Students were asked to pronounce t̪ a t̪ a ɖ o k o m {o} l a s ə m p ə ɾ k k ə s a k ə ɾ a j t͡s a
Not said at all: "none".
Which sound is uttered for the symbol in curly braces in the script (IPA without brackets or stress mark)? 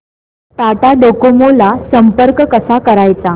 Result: o